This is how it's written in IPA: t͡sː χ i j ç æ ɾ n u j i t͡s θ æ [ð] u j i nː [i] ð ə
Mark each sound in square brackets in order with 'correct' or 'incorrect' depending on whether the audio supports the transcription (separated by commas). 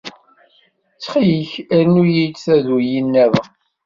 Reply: correct, incorrect